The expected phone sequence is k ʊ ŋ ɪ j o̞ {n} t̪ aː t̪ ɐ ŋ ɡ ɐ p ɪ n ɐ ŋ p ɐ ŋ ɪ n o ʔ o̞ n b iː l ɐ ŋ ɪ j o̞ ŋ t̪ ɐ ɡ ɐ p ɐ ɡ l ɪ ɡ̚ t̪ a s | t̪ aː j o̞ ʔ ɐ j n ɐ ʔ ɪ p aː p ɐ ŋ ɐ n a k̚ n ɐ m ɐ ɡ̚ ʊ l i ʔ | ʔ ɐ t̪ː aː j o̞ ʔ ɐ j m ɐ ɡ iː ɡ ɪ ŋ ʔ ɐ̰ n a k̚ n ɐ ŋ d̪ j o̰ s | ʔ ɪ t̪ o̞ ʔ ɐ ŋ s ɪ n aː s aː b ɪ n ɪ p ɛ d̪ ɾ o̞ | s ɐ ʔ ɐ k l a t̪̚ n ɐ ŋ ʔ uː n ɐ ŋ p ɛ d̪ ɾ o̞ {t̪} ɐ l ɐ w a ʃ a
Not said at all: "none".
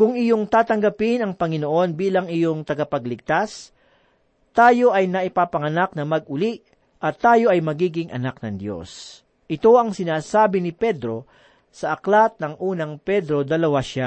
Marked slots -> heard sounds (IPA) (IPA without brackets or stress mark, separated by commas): ŋ, d̪